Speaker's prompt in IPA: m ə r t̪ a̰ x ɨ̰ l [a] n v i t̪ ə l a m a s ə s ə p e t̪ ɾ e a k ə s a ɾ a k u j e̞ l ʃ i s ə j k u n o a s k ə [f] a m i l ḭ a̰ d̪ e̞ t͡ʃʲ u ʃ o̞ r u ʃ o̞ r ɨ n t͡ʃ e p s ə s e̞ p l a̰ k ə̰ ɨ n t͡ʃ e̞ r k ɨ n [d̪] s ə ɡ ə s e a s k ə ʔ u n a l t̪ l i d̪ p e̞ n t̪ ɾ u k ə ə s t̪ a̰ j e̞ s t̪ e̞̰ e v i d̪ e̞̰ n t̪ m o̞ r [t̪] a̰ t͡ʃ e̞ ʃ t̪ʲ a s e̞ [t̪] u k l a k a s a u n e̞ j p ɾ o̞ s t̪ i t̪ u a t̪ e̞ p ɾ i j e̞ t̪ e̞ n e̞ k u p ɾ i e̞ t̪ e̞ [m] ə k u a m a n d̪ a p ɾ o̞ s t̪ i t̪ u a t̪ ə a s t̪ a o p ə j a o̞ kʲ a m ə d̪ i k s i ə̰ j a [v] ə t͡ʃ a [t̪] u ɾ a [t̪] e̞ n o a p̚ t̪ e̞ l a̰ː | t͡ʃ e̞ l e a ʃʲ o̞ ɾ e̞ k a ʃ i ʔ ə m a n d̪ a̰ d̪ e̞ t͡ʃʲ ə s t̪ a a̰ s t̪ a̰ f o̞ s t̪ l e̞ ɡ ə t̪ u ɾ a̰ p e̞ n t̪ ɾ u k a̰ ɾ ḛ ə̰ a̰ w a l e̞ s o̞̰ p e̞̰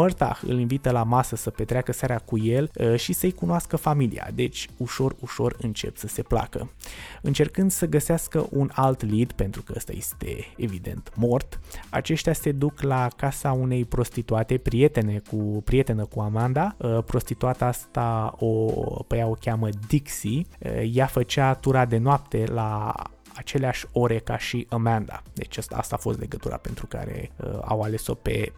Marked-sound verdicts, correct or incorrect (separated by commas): incorrect, correct, correct, correct, incorrect, incorrect, incorrect, correct, incorrect